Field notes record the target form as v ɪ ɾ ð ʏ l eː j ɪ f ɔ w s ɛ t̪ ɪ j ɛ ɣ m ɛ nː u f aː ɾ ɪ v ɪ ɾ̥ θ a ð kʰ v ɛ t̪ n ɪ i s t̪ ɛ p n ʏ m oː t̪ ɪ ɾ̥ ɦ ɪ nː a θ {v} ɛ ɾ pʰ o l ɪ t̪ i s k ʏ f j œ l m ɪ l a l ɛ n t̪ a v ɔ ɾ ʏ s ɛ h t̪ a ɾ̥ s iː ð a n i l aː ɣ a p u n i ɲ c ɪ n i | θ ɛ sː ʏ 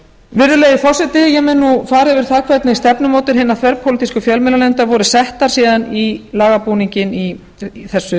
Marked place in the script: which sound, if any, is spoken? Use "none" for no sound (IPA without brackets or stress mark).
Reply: v